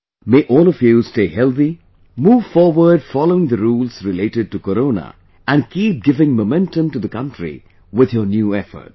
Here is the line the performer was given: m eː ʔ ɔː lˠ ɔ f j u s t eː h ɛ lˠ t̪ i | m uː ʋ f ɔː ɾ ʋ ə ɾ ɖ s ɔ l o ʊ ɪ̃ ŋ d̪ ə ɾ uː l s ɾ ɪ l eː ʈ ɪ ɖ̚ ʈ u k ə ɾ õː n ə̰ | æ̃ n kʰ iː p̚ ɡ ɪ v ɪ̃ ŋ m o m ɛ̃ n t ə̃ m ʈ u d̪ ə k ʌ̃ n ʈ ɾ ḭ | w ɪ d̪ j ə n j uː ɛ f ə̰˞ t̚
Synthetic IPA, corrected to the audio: m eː ʔ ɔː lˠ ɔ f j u s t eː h ɛ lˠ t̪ i | m uː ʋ f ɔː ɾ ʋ ə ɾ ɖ f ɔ l o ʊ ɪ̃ ŋ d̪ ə ɾ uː l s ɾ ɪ l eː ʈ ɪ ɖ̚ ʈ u k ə ɾ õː n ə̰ | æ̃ n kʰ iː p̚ ɡ ɪ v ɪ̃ ŋ m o m ɛ̃ n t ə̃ m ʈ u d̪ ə k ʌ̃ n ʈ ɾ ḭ | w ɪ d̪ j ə n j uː ɛ f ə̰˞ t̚